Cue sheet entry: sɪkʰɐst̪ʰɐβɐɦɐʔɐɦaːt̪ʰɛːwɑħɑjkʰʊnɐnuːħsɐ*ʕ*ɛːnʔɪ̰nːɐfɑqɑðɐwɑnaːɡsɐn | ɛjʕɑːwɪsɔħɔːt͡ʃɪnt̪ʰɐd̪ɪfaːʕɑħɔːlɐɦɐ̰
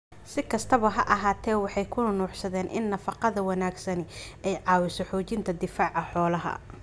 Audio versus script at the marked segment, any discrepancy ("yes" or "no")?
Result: yes